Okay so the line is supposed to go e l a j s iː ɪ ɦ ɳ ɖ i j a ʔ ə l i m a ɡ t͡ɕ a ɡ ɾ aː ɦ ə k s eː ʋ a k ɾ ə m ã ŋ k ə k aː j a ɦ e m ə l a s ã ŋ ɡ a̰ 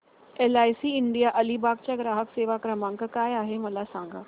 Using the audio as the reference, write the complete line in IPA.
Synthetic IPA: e l a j s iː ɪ ɳ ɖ i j a ʔ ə l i b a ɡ t͡ɕ a ɡ ɾ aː ɦ ə k s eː ʋ a k ɾ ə m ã ŋ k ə k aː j a ɦ e m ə l a s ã ŋ ɡ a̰